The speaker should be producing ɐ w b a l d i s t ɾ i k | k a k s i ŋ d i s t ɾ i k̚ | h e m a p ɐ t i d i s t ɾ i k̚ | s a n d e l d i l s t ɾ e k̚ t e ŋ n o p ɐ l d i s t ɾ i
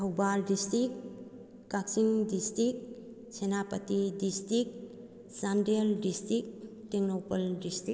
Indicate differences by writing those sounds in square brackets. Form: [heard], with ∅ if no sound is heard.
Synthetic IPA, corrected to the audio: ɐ w b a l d i s t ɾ i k | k a k s i ŋ d i s t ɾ i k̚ | [s] e [n] a p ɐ t i d i s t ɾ i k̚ | s a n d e l d i [∅] s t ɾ [i] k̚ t e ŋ n o p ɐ l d i s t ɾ i

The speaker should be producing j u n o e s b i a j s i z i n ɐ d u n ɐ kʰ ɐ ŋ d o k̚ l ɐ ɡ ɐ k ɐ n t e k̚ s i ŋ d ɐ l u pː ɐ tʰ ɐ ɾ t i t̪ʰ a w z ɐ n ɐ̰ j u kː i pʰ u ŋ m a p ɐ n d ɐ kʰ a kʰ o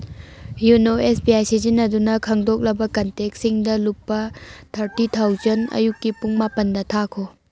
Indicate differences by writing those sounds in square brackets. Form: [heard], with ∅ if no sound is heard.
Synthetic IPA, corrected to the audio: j u n o e s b i a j s i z i n ɐ d u n ɐ kʰ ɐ ŋ d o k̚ l ɐ [b] ɐ k ɐ n t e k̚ s i ŋ d ɐ l u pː ɐ tʰ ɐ ɾ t i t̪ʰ a w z ɐ n ɐ̰ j u kː i [p] u ŋ m a p ɐ n d ɐ [tʰ] a kʰ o

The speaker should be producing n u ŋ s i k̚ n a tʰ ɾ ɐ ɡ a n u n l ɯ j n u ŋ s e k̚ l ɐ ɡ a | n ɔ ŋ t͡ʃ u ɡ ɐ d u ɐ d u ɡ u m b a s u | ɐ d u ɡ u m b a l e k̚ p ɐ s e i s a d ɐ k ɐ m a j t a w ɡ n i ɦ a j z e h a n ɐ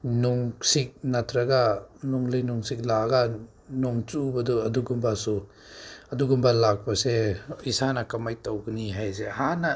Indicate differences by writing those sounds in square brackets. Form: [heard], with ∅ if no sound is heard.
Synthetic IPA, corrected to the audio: n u ŋ s i k̚ n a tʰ ɾ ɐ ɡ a n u [ŋ] l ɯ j n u ŋ s [i] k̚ l [a] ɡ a | n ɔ ŋ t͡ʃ u [b] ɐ d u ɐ d u ɡ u m b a s u | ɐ d u ɡ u m b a l [a] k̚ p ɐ s e i s a [n] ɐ k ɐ m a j t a w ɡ n i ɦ a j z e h a n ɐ

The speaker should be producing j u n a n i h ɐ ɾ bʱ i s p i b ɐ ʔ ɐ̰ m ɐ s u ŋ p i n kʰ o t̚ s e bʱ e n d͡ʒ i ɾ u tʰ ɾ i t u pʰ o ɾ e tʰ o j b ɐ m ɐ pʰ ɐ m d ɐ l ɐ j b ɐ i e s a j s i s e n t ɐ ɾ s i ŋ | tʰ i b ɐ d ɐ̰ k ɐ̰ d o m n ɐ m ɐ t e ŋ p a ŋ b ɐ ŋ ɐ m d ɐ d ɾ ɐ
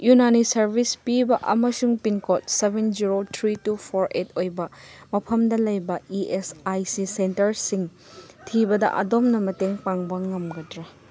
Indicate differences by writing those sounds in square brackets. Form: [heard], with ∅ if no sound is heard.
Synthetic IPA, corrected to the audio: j u n a n i [s] ɐ ɾ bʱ i s p i b ɐ ʔ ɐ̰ m ɐ s u ŋ p i n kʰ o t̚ s e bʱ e n d͡ʒ i ɾ [o] tʰ ɾ i t u pʰ o ɾ e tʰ o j b ɐ m ɐ pʰ ɐ m d ɐ l ɐ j b ɐ i e s a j s i s e n t ɐ ɾ s i ŋ | tʰ i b ɐ d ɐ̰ [ʔ] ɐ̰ d o m n ɐ m ɐ t e ŋ p a ŋ b ɐ ŋ ɐ m [ɡ] ɐ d ɾ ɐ

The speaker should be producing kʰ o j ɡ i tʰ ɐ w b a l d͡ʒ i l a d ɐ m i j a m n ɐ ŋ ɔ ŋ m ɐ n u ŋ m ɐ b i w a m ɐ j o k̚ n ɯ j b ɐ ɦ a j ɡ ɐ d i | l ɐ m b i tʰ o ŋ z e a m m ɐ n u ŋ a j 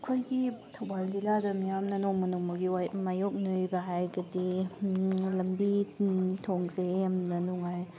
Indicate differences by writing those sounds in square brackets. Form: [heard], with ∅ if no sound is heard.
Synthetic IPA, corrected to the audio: kʰ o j ɡ i tʰ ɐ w b a l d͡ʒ i l a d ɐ m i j a m n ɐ [n] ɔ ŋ m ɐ n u ŋ m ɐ [ɡ] i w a m [a] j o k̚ n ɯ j b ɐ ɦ a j ɡ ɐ d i | l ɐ m b i tʰ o ŋ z e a m [n] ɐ n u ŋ a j

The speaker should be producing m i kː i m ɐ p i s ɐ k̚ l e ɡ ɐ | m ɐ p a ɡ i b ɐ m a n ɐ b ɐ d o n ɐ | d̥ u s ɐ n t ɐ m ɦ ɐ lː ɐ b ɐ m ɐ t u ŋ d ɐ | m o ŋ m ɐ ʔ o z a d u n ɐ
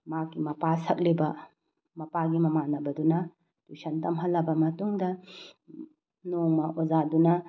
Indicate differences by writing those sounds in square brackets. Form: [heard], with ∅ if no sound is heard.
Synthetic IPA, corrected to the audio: m [a] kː i m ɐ p [a] s ɐ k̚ l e [b] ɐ | m ɐ p a ɡ i [m] ɐ m a n ɐ b ɐ d [u] n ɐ | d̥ u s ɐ n t ɐ m ɦ ɐ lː ɐ b ɐ m ɐ t u ŋ d ɐ | [n] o ŋ m ɐ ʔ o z a d u n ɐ

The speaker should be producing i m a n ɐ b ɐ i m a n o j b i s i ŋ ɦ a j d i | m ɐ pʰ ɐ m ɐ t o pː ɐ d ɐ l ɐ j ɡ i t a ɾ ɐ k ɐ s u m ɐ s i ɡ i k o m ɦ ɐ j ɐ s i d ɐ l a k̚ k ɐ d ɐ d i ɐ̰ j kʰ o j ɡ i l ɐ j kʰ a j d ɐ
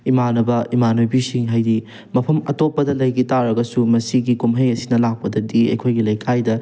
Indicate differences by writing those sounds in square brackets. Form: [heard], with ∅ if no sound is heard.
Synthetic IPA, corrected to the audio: i m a n ɐ b ɐ i m a n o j b i s i ŋ ɦ a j d i | m ɐ pʰ ɐ m ɐ t o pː ɐ d ɐ l ɐ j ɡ i t a ɾ ɐ [ɡ] ɐ s u m ɐ s i ɡ i k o m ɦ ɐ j ɐ s i [n] ɐ l a k̚ [p] ɐ d ɐ d i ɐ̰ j kʰ o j ɡ i l ɐ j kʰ a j d ɐ

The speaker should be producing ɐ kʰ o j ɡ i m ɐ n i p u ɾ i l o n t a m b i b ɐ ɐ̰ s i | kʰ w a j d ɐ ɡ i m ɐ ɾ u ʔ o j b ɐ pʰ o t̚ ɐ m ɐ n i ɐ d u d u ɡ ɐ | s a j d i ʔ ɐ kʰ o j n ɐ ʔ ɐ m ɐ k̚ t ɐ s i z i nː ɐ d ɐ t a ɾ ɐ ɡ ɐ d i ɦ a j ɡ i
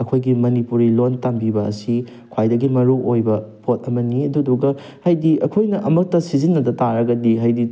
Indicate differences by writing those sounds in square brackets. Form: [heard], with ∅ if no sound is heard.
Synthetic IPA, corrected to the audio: ɐ kʰ o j ɡ i m ɐ n i p u ɾ i l o n t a m b i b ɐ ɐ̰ s i | kʰ w a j d ɐ ɡ i m ɐ ɾ u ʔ o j b ɐ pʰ o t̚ ɐ m ɐ n i ɐ d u d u ɡ ɐ | [h] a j d i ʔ ɐ kʰ o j n ɐ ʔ ɐ m ɐ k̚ t ɐ s i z i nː ɐ d ɐ t a ɾ ɐ ɡ ɐ d i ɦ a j [d] i

